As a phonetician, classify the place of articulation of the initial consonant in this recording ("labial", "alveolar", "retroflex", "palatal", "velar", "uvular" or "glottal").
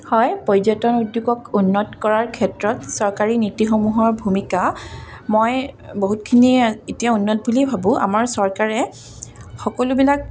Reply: glottal